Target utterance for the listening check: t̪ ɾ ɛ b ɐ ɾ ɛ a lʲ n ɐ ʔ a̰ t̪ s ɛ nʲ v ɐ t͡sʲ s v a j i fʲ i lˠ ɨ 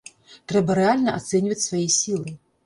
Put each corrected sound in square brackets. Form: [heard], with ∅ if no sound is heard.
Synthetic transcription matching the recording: t̪ ɾ ɛ b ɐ ɾ ɛ a lʲ n ɐ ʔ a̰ t̪ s ɛ nʲ v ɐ t͡sʲ s v a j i [sʲ] i lˠ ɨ

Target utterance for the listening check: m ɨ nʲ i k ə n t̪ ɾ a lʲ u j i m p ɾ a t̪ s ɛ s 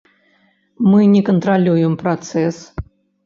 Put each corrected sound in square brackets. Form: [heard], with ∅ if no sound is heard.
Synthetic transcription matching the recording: m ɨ nʲ [ɛ] k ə n t̪ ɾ a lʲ u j [ɛ] m p ɾ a t̪ s ɛ s

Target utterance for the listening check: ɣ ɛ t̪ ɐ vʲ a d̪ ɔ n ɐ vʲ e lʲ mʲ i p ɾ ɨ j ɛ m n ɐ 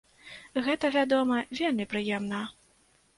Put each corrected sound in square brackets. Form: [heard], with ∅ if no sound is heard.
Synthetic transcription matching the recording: ɣ ɛ t̪ ɐ vʲ a d̪ ɔ [m] ɐ vʲ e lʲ mʲ i p ɾ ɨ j ɛ m n ɐ

